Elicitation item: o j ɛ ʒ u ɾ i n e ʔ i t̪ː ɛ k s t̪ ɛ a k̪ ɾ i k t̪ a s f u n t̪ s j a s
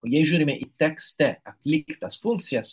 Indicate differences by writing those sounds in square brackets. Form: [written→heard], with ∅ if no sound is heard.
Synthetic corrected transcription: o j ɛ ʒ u ɾ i [n→m] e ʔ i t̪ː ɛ k s t̪ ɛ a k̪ [ɾ→l] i k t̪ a s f u n t̪ s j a s